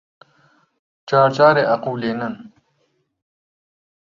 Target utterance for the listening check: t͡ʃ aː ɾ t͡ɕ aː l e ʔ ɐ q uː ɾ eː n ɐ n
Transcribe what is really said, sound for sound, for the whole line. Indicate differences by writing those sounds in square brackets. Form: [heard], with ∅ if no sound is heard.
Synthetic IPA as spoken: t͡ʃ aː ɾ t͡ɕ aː [ɾ] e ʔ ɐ q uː [l] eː n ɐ n